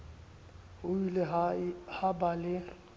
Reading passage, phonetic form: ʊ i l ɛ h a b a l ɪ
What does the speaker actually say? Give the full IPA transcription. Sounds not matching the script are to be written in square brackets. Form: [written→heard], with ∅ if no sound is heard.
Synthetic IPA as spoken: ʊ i l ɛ h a b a l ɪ